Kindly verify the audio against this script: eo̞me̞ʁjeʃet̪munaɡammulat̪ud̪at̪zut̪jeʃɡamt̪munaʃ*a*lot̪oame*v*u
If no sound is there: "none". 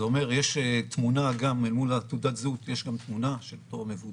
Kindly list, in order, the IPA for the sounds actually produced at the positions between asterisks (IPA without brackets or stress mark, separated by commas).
e, v